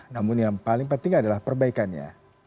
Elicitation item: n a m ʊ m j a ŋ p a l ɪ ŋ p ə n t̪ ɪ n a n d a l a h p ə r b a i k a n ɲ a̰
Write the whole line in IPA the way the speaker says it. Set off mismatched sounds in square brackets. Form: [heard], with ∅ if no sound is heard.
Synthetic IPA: n a m ʊ [n] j a ŋ p a l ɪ ŋ p ə n t̪ ɪ [ŋ] a [∅] d a l a h p ə r b a i k a n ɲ a̰